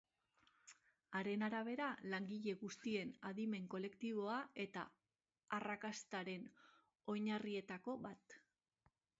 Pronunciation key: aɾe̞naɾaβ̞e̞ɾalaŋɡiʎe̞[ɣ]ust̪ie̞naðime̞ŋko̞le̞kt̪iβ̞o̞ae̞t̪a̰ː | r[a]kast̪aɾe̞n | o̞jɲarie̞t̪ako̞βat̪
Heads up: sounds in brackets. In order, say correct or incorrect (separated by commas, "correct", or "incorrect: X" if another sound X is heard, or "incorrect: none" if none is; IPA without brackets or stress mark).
correct, correct